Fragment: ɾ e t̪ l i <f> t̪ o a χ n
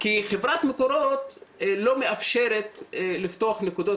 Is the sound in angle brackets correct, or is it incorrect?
correct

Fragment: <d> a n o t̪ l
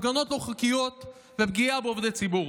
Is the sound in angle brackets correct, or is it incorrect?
incorrect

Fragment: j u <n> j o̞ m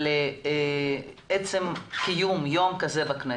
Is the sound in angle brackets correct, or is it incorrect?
incorrect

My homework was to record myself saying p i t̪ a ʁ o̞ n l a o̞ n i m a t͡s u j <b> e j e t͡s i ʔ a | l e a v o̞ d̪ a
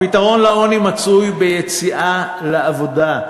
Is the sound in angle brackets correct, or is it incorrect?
correct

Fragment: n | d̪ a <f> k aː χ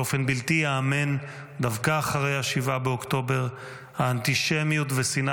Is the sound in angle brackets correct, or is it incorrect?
incorrect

